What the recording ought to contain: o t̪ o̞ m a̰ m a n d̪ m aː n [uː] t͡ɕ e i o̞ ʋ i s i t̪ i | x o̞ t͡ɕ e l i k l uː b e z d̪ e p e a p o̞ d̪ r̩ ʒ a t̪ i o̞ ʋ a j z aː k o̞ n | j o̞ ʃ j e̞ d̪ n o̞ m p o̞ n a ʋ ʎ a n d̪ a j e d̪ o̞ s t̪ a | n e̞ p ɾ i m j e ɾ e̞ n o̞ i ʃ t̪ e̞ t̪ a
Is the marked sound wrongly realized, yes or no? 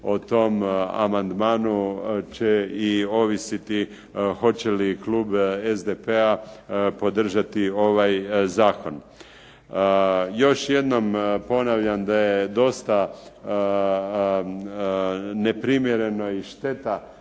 yes